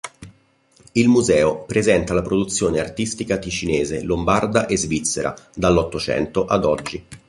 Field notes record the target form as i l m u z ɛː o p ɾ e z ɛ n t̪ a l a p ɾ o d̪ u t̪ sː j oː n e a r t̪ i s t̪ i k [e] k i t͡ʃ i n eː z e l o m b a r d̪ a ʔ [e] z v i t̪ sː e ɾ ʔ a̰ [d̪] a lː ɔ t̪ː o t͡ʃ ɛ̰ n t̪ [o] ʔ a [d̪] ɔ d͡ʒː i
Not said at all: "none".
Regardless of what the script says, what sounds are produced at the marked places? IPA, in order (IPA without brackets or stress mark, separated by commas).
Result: a, e, d̪, o, d̪